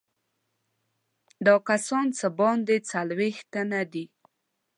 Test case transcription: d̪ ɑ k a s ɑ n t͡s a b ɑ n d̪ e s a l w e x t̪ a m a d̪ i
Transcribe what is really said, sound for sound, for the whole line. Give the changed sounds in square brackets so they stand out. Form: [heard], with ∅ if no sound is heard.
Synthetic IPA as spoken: d̪ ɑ k a s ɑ n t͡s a b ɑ n d̪ e [t͡s] a l w e x t̪ a [n] a d̪ i